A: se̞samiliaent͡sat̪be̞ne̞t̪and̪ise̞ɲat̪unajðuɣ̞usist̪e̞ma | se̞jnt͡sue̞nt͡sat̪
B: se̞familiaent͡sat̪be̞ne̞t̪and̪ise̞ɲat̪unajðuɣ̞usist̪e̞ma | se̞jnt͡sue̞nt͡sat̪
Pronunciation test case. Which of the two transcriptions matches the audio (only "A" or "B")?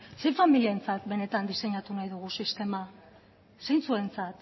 B